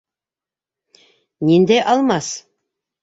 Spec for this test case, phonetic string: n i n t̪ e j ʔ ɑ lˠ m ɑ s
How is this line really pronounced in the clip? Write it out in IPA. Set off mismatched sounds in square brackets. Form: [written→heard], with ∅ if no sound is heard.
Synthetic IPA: n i n [t̪→d̪] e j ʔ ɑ lˠ m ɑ s